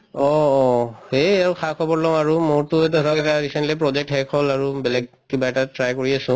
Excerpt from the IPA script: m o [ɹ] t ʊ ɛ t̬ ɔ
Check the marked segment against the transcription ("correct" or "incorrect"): correct